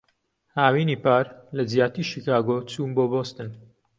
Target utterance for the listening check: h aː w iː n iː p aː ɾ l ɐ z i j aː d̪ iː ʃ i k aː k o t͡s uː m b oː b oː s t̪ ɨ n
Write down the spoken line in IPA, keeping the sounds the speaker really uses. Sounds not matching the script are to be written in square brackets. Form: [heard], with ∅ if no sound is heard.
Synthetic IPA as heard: h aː w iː n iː p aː ɾ l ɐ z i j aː [t̪] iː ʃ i k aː [ɡ] o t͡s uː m b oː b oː s t̪ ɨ n